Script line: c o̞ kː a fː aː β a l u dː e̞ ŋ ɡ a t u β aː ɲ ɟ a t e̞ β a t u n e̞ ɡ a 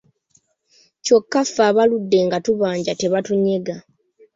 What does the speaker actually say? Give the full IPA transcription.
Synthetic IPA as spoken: c o̞ kː a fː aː β a l u dː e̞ ŋ ɡ a t u β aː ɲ ɟ a t e̞ β a t u ɲ e̞ ɡ a